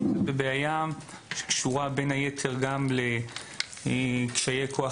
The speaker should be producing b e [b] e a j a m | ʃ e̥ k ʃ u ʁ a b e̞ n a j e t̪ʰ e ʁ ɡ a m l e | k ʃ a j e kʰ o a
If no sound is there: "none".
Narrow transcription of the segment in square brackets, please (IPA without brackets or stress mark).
b